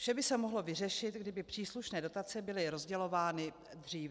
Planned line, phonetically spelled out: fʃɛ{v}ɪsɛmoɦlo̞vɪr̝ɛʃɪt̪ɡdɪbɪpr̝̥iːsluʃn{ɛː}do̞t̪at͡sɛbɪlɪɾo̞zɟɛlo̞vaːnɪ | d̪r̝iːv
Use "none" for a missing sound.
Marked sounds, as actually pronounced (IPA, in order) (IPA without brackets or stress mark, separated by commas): b, ɛː